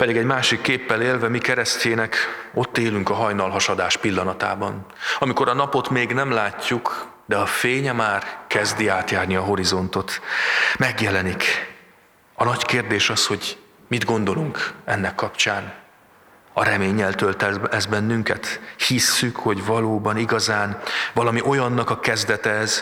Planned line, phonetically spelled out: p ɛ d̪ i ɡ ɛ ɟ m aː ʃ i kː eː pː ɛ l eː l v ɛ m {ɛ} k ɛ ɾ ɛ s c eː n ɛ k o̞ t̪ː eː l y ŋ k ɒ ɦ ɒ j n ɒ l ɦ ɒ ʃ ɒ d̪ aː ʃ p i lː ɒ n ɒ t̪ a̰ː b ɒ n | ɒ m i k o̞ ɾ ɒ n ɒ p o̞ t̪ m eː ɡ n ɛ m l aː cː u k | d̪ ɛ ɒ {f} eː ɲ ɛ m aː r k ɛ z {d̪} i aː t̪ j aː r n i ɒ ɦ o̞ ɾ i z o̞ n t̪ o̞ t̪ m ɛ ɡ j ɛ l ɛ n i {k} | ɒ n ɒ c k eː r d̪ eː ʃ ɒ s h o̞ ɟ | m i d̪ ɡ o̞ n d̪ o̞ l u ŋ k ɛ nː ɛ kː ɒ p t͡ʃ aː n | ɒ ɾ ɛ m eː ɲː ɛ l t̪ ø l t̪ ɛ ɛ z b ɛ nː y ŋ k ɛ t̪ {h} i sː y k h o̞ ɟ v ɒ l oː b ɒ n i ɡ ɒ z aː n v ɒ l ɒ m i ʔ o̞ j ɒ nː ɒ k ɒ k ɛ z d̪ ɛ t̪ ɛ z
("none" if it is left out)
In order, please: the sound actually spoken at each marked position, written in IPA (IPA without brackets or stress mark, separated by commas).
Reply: i, f, d̪, k, h